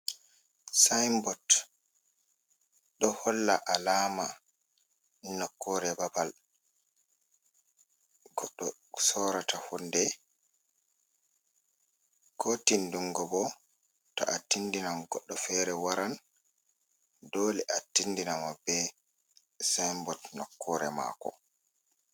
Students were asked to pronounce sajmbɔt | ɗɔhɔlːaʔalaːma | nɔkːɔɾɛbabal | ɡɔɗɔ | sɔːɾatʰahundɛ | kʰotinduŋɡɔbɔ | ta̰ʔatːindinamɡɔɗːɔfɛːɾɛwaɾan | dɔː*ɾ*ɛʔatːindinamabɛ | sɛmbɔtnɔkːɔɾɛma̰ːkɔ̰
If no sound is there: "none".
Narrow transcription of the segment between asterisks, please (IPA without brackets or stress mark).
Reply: l